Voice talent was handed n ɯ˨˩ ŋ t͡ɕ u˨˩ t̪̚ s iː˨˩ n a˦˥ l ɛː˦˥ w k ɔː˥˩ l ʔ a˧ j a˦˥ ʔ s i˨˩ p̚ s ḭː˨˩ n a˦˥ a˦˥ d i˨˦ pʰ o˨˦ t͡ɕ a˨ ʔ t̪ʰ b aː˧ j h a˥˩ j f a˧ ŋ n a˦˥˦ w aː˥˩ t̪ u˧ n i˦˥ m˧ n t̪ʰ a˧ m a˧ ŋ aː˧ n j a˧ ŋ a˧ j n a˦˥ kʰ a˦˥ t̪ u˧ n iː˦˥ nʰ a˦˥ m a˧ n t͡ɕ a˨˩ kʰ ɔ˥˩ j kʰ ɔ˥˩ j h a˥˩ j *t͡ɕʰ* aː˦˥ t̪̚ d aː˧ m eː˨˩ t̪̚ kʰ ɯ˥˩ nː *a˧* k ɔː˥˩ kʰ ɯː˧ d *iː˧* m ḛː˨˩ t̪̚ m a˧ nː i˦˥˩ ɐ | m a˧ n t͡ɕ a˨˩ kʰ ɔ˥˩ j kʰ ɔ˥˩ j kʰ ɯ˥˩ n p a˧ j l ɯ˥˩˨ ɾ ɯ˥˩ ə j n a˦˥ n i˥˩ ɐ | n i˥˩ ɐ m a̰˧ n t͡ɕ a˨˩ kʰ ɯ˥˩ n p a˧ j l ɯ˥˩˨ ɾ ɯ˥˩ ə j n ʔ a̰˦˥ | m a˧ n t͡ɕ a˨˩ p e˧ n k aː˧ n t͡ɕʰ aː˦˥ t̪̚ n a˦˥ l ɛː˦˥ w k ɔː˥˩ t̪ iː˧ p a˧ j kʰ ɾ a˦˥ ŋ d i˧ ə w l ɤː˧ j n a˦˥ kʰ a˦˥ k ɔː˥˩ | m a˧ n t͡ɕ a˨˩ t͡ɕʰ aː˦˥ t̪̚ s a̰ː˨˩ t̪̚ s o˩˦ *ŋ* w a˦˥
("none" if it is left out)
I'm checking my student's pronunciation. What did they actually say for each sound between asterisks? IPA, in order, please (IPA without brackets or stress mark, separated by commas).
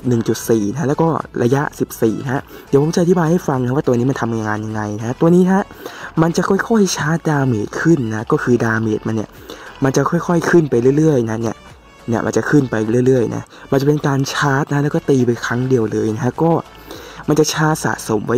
t͡ɕʰ, a˦˥, aː˧, m